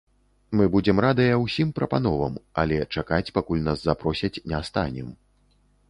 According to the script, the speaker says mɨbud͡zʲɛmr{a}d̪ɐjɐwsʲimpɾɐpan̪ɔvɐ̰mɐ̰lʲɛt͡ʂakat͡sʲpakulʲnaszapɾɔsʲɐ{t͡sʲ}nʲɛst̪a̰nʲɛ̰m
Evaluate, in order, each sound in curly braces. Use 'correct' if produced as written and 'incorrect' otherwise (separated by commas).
correct, correct